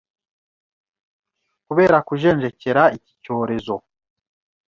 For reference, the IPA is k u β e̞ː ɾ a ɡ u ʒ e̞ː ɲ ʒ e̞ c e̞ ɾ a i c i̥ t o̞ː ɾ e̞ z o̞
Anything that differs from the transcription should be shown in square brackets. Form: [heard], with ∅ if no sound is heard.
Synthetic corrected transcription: k u β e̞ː ɾ a [k] u ʒ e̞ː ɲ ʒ e̞ c e̞ ɾ a i c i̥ [c] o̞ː ɾ e̞ z o̞